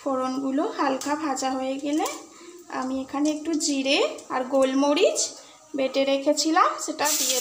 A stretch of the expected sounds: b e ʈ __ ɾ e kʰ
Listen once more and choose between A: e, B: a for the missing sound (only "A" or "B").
A